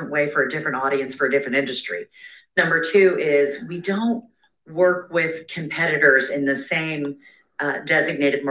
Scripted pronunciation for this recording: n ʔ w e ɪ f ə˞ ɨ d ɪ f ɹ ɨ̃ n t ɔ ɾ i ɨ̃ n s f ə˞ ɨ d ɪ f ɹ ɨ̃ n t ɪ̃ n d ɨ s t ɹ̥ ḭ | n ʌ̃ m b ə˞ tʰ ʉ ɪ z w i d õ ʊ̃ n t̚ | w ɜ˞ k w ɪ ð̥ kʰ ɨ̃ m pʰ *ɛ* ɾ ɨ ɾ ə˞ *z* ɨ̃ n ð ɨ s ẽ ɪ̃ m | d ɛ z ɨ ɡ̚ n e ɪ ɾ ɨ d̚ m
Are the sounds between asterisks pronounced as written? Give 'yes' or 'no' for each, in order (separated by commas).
yes, yes